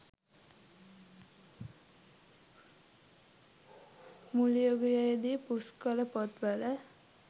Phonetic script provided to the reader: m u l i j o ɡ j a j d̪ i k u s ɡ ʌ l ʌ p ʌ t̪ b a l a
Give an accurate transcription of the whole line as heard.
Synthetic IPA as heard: m u l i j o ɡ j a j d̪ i p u s k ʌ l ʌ p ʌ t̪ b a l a